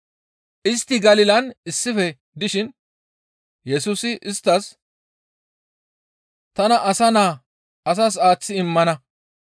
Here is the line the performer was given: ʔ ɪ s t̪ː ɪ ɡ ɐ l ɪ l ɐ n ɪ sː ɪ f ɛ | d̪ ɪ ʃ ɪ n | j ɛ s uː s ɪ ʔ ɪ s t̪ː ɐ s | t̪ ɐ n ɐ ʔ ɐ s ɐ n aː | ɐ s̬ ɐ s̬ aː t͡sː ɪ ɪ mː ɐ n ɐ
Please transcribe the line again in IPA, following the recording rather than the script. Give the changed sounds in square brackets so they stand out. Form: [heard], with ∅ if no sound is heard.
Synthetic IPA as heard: ʔ ɪ s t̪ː ɪ ɡ ɐ l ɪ l ɐ n ɪ sː ɪ f ɛ | d̪ ɪ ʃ ɪ n | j ɛ s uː s ɪ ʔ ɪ s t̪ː ɐ s | t̪ ɐ n ɐ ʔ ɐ s ɐ n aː | ɐ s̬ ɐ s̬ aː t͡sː ɪ ɪ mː ɐ n ɐ